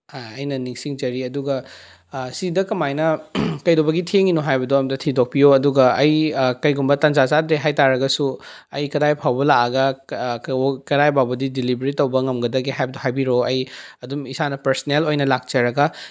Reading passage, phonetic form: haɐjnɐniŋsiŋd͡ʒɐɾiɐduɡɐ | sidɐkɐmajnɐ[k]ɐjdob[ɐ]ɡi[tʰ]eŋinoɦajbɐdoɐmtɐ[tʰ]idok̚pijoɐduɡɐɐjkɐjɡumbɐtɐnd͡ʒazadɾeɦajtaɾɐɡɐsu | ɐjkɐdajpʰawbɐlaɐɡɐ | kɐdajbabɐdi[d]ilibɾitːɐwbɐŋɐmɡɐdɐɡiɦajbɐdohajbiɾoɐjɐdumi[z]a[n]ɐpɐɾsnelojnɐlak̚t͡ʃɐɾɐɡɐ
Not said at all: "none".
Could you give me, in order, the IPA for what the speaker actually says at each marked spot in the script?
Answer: k, ɐ, tʰ, tʰ, d, s, n

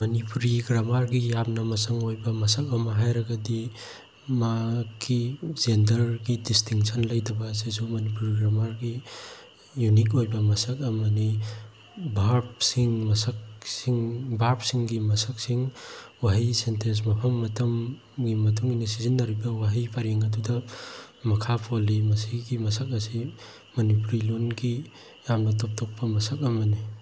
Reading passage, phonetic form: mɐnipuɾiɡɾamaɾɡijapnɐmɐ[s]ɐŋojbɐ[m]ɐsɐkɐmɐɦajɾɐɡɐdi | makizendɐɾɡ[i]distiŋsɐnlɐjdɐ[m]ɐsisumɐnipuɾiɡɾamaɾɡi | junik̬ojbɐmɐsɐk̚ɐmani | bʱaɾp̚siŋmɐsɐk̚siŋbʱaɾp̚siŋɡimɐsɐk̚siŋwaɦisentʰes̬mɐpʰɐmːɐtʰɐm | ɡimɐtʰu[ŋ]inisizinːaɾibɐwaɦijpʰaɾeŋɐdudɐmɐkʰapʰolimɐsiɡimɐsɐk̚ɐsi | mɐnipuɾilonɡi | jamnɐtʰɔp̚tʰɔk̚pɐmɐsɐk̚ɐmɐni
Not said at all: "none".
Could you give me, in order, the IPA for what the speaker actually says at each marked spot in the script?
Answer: s, m, i, b, ŋ

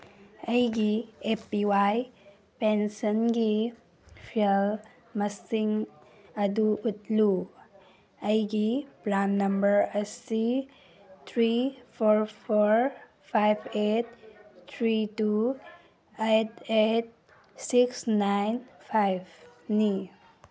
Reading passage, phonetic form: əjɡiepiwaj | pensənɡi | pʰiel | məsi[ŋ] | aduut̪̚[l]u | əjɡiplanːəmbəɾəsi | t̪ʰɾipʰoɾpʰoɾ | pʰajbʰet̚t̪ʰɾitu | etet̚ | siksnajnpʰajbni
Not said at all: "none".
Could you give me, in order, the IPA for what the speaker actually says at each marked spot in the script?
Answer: ŋ, l

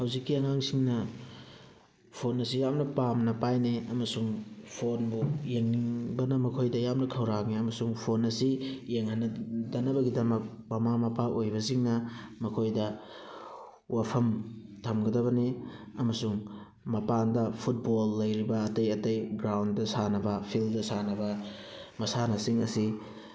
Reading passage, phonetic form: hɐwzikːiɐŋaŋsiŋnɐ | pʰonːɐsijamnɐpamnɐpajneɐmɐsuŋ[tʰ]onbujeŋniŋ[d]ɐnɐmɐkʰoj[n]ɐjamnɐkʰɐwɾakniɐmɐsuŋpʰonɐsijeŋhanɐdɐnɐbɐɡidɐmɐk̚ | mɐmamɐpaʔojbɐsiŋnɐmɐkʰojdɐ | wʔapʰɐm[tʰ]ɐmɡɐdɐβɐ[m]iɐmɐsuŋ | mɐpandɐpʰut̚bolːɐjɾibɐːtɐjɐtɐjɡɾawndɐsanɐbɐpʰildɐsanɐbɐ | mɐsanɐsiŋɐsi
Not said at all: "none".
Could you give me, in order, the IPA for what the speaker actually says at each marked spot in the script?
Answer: pʰ, b, d, tʰ, n

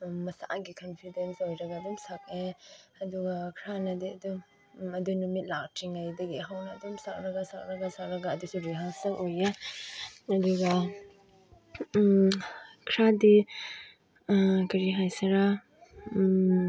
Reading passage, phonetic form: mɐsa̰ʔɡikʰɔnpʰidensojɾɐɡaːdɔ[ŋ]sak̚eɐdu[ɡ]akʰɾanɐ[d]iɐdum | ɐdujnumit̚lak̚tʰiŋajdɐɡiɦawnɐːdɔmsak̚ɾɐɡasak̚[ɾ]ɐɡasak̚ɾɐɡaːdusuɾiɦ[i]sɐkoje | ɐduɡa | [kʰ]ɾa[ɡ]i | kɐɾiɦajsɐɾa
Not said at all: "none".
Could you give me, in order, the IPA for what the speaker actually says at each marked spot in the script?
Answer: m, ɡ, d, ɾ, a, kʰ, d

